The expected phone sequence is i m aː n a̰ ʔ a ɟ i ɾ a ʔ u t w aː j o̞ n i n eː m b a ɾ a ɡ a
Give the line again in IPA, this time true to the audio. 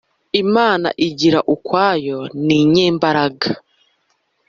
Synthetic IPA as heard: i m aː n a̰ ʔ i ɟ i ɾ a ʔ u k w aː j o̞ n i ɲ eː m b a ɾ a ɡ a